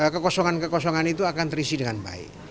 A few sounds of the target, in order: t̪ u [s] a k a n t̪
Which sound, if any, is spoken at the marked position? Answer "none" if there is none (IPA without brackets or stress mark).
none